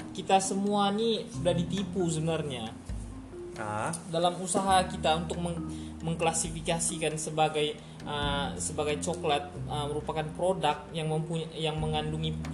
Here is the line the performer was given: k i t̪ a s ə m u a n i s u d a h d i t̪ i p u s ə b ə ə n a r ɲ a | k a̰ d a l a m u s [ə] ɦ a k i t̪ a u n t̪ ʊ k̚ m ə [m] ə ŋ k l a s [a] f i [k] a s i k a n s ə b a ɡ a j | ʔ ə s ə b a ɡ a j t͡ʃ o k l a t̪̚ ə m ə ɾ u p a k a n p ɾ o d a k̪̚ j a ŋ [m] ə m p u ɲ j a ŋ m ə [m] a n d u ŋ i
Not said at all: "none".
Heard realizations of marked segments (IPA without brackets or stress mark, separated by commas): a, m, i, k, m, ŋ